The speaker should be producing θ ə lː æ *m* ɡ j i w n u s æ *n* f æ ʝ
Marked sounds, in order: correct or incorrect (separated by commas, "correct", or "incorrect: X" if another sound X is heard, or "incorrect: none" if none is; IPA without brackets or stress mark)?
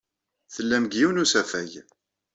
correct, incorrect: none